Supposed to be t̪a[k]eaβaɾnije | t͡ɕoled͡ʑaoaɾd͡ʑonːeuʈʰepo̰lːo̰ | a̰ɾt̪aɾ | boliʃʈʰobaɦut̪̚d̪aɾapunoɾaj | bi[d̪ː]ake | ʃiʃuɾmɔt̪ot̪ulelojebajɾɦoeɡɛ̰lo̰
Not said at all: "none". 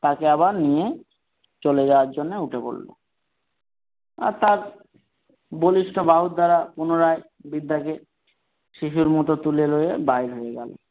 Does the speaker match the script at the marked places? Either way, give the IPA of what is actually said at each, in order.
k, d̪ː

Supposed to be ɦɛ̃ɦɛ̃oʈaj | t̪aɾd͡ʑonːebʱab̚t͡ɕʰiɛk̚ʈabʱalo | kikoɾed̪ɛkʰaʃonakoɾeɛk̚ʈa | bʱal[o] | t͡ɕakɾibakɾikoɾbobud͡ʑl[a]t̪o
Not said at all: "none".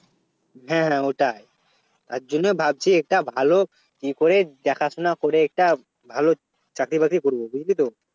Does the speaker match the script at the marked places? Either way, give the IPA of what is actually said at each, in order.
o, i

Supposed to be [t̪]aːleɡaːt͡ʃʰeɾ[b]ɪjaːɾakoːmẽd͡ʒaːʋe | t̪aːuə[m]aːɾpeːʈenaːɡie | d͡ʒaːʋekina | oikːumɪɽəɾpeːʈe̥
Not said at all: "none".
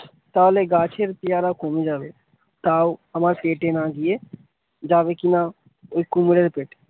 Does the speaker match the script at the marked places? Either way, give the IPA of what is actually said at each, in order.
t̪, p, m

